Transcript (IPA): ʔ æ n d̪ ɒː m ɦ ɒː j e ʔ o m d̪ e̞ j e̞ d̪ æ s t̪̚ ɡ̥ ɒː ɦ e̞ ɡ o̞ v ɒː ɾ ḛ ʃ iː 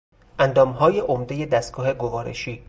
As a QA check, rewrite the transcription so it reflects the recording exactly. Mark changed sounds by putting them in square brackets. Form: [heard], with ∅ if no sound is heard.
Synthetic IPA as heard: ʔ æ n d̪ ɒː m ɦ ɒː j e ʔ o m d̪ e̞ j e̞ d̪ æ s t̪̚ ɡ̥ ɒː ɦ e̞ ɡ o̞ v ɒː ɾ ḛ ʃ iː